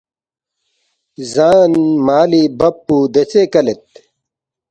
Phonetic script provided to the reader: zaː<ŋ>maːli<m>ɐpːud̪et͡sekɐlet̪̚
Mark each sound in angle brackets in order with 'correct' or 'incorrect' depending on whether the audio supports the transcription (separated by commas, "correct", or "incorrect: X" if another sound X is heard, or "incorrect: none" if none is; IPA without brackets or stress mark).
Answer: incorrect: n, incorrect: b